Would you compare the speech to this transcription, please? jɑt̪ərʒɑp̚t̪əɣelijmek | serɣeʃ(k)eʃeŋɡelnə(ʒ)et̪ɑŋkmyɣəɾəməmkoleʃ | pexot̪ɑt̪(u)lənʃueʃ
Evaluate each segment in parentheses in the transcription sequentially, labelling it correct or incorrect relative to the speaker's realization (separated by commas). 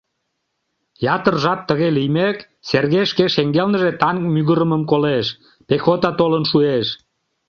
correct, correct, incorrect